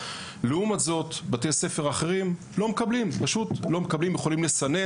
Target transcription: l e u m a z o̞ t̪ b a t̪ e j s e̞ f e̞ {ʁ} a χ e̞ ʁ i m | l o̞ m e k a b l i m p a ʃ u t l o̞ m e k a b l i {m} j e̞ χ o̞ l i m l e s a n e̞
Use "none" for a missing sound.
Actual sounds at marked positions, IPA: ʁ, m

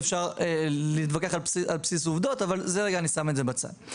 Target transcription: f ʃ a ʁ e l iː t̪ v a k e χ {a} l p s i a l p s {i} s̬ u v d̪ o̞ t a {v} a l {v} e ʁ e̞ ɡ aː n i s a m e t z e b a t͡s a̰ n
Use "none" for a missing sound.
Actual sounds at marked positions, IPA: a, i, v, z

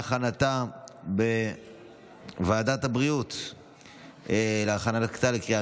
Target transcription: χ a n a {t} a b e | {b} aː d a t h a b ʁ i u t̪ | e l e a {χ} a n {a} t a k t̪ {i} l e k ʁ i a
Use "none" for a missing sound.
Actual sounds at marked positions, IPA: t, v, χ, a, a

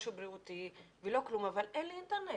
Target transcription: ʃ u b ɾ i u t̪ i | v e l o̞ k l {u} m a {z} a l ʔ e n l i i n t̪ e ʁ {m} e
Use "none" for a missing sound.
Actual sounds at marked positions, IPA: u, v, n

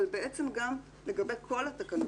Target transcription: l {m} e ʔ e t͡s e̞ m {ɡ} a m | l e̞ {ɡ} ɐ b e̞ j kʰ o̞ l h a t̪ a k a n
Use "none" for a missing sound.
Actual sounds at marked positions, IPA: b, ɡ, ɡ

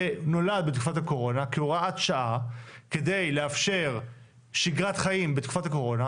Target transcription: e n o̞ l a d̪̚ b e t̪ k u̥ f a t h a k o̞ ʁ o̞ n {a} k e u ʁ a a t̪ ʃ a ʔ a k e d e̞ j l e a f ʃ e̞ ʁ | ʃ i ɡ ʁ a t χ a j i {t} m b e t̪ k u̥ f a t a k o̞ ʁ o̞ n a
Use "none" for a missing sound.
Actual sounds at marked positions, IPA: a, none

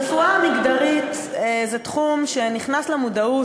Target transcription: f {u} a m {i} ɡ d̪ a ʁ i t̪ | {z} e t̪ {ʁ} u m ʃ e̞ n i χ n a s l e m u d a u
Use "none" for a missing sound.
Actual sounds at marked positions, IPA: u, i, z, χ

